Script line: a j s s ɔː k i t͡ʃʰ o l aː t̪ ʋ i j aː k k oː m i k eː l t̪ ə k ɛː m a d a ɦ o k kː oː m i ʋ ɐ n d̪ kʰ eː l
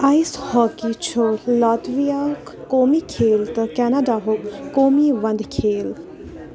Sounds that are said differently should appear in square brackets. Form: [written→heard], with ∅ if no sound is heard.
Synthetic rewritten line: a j s [s→h] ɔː k i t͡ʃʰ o l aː t̪ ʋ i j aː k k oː m i [k→kʰ] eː l t̪ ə k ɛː [m→n] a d a ɦ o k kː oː m i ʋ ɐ n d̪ kʰ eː l